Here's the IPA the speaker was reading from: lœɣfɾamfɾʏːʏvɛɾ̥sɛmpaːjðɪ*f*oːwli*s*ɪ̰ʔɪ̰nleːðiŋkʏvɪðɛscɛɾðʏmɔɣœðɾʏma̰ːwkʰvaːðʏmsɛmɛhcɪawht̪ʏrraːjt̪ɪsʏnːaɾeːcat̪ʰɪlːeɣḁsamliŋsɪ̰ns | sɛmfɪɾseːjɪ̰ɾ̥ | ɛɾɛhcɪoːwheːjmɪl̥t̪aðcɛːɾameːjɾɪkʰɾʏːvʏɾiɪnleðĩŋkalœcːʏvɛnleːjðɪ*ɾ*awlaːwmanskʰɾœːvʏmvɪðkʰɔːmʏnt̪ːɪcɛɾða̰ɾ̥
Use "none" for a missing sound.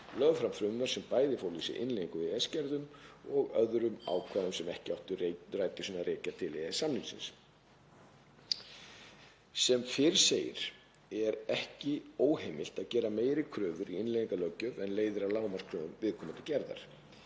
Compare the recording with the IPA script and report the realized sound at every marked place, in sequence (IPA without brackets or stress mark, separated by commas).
f, s, ɾ